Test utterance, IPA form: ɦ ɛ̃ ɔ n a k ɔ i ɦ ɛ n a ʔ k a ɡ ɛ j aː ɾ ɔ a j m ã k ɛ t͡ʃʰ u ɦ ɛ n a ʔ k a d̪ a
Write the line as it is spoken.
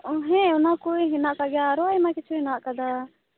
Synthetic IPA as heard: ɦ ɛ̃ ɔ n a k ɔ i ɦ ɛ n a ʔ k a ɡ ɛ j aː ɾ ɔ a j m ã k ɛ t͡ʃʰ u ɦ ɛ n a ʔ k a d̪ a